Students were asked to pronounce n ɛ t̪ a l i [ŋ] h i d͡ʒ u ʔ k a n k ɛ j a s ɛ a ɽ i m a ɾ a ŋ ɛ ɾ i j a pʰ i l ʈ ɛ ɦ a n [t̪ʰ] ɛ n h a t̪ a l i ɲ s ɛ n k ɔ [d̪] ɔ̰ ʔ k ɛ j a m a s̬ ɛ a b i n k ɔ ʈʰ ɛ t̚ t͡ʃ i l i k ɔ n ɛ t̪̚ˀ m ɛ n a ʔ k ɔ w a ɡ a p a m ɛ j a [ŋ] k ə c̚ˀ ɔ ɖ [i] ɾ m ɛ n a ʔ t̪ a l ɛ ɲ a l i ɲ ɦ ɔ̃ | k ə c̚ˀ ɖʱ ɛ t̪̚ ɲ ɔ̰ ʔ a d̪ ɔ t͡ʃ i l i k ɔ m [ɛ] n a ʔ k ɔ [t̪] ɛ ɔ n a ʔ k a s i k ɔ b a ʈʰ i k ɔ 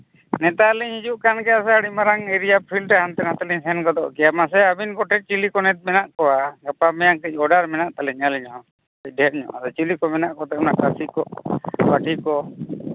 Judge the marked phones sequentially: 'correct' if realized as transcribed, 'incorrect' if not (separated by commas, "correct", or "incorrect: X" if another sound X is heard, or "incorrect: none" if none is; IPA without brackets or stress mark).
incorrect: ɲ, incorrect: t̪, correct, correct, incorrect: a, correct, correct